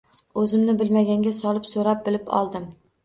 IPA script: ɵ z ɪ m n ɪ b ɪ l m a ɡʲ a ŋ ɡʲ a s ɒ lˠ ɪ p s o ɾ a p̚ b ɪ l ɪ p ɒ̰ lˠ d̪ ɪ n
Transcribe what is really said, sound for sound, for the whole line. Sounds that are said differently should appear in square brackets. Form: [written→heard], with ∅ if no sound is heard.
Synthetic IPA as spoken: ɵ z ɪ m n ɪ b ɪ l m a ɡʲ a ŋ ɡʲ a s ɒ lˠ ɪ p s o ɾ a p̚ b ɪ l ɪ p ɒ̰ lˠ d̪ ɪ [n→m]